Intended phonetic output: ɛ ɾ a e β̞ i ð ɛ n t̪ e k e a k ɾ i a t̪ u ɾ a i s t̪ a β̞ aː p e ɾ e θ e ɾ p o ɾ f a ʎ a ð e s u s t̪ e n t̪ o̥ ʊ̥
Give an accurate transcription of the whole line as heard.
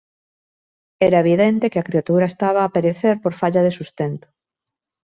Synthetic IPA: ɛ ɾ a e β̞ i ð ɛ n t̪ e k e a k ɾ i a t̪ u ɾ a e s t̪ a β̞ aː p e ɾ e θ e ɾ p o ɾ f a ʎ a ð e s u s t̪ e n t̪ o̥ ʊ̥